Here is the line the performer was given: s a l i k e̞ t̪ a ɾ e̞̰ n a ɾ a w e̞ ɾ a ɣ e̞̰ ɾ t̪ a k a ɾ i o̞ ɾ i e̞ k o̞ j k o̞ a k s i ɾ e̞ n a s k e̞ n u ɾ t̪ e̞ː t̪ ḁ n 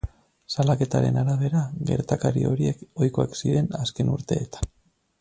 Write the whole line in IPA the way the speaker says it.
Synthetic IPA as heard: s a l a k e̞ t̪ a ɾ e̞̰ n a ɾ a β e̞ ɾ a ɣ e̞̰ ɾ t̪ a k a ɾ i o̞ ɾ i e̞ k o̞ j k o̞ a k s i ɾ e̞ n a s k e̞ n u ɾ t̪ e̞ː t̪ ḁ n